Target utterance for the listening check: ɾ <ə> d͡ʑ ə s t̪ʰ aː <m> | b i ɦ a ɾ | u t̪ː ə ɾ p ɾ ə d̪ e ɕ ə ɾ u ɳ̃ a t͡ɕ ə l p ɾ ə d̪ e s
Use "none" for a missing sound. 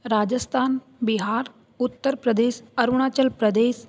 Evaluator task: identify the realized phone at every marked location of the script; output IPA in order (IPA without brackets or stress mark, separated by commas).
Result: a, n